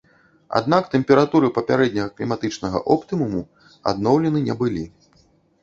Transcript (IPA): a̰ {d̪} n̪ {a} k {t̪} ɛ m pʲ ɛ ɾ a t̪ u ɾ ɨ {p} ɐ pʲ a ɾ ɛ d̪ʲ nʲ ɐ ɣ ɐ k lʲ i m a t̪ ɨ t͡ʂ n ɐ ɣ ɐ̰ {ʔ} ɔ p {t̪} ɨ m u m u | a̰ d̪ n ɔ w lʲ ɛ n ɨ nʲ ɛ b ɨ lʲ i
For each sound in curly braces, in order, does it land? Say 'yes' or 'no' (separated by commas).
yes, yes, yes, yes, yes, yes